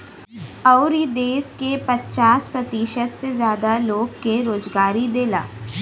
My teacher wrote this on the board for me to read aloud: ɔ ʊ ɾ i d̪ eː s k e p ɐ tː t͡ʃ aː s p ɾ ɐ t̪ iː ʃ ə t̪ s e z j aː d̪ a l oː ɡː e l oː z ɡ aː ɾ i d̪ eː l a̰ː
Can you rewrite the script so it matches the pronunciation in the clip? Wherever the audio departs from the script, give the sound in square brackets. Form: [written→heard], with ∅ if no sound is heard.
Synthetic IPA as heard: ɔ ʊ ɾ i d̪ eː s k e p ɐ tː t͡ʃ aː s p ɾ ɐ t̪ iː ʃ ə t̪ s e z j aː d̪ a l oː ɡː e [l→ɾ] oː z ɡ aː ɾ i d̪ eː l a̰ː